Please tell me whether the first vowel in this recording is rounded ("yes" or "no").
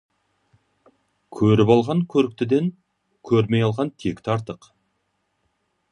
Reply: yes